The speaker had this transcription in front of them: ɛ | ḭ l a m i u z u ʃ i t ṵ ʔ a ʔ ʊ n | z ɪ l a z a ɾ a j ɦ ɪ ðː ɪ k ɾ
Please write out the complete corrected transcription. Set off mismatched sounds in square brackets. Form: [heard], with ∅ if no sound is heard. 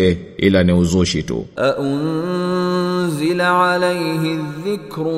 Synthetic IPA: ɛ | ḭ l a [n] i u z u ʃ i t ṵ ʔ a ʔ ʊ n | z ɪ l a [ʕ] a [l] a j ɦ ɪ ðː ɪ k ɾ